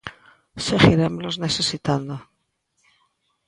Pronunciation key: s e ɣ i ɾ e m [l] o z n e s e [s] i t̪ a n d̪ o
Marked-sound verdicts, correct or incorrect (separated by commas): correct, correct